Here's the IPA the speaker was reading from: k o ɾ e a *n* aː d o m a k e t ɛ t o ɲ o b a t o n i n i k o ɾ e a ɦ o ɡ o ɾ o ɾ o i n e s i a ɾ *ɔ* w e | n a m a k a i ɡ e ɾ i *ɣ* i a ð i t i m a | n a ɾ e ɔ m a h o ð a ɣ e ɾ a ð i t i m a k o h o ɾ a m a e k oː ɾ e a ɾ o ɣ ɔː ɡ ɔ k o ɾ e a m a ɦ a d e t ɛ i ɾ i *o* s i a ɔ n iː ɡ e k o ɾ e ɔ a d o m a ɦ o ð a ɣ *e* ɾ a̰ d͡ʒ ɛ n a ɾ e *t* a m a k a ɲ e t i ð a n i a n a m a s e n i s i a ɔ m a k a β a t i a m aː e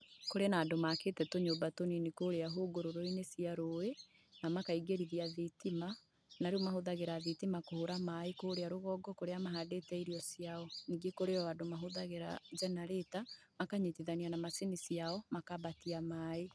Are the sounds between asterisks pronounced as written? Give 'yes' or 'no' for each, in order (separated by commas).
yes, no, no, no, yes, yes